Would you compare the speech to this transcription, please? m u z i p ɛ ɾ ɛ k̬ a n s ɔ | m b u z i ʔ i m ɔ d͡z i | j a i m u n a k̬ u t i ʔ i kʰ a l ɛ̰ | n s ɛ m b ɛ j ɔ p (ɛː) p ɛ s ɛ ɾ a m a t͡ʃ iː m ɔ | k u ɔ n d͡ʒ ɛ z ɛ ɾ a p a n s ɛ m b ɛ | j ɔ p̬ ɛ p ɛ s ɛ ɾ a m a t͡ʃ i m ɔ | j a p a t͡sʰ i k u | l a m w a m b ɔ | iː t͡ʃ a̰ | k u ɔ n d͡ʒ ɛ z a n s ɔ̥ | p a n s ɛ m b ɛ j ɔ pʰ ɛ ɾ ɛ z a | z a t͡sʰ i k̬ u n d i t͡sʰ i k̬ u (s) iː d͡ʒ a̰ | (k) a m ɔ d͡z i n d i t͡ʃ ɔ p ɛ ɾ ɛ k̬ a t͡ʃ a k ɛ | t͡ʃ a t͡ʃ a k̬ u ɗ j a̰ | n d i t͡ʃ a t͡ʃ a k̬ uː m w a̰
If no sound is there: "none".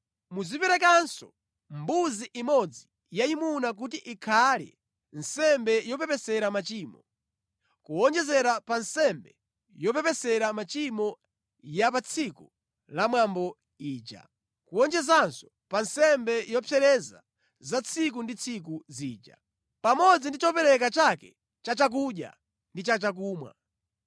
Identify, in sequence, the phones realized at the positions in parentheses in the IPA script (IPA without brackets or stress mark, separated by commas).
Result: ɛ, z, p